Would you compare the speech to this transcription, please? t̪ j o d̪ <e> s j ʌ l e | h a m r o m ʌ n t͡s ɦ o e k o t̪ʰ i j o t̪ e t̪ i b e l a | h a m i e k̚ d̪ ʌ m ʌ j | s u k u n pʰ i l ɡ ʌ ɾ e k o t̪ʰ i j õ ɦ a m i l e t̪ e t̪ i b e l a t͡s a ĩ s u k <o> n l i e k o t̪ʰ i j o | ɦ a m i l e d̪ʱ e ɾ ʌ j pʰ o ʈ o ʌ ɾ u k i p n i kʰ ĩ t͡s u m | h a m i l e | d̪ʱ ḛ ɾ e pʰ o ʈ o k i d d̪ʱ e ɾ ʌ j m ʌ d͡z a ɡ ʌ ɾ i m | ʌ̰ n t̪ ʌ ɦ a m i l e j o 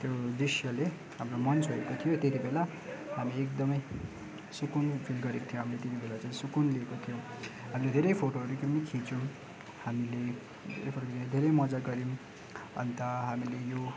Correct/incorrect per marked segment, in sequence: incorrect: i, incorrect: u

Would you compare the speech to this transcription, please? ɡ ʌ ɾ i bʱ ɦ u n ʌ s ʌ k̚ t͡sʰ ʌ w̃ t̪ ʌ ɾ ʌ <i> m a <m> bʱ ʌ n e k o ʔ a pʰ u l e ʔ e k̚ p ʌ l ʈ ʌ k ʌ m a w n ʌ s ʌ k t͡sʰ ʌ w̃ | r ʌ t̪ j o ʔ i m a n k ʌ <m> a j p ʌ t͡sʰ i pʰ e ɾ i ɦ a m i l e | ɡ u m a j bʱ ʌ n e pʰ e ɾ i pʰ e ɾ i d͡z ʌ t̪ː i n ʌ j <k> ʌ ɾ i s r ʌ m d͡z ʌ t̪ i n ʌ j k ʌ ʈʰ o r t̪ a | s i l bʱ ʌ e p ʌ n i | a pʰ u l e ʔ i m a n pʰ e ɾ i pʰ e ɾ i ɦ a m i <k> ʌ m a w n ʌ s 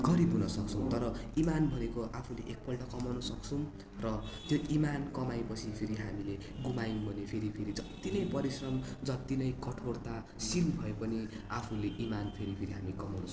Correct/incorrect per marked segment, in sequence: correct, incorrect: n, correct, incorrect: p, correct

